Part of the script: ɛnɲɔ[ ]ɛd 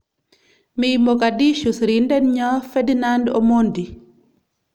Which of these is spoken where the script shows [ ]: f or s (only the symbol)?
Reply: f